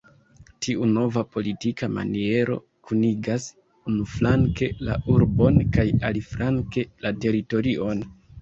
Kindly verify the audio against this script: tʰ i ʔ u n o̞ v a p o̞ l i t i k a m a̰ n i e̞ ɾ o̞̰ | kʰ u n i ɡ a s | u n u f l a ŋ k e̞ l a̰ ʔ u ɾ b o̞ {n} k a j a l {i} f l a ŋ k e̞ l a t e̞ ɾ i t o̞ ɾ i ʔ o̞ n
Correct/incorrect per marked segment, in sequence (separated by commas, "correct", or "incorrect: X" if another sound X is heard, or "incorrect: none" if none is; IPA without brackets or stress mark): correct, correct